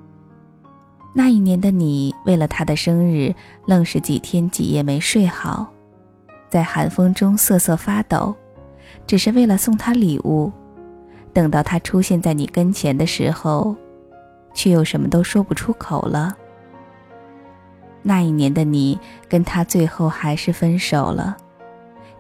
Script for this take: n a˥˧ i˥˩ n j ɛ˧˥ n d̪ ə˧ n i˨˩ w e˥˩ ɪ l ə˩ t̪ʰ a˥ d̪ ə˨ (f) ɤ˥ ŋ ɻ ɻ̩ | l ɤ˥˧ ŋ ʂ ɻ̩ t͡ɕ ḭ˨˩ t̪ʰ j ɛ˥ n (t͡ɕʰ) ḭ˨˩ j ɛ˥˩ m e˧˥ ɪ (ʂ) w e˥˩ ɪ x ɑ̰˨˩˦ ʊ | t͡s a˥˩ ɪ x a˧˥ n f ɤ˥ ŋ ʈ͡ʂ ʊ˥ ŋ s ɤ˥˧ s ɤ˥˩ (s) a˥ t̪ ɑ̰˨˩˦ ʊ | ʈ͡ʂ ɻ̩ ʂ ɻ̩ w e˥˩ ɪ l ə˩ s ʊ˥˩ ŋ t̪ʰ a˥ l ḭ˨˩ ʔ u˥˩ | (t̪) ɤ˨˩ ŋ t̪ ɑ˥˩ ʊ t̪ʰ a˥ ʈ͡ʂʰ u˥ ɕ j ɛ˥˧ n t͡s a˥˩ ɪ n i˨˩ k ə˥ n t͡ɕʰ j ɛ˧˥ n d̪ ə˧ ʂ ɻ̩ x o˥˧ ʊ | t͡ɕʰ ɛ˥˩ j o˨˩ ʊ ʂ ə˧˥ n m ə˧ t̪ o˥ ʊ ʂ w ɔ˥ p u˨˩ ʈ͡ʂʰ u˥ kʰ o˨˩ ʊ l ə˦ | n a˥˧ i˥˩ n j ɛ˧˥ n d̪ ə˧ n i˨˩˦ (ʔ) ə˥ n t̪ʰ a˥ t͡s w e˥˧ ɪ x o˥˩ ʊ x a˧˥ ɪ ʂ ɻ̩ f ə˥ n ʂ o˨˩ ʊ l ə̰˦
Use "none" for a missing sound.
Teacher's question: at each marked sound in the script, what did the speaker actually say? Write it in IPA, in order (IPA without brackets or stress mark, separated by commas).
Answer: ʂ, t͡ɕ, ʂ, f, t̪, k